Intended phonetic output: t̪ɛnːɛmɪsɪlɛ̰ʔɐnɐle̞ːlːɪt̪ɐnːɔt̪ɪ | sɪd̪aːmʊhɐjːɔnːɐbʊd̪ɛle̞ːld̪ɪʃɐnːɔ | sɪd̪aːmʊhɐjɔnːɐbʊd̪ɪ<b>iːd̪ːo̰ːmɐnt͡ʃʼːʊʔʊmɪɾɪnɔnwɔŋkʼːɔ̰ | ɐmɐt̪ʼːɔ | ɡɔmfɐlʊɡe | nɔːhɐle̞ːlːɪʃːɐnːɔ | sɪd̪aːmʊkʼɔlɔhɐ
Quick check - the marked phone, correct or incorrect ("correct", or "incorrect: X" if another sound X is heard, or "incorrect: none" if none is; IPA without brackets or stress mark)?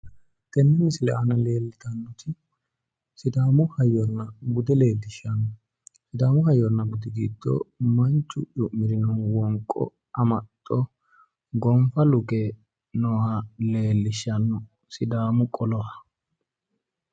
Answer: incorrect: ɡ